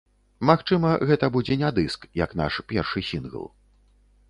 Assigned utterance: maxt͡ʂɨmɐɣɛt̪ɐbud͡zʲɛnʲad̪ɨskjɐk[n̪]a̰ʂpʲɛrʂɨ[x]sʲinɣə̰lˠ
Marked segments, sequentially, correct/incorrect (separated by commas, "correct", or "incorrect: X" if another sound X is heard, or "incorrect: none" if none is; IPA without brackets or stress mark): correct, incorrect: none